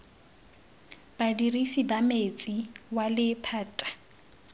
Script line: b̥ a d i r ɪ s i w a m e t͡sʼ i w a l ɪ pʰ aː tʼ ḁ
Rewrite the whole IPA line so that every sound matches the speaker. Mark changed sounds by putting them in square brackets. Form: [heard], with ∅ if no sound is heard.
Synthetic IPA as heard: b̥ a d i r [i] s i [b] a m e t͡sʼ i w a l ɪ pʰ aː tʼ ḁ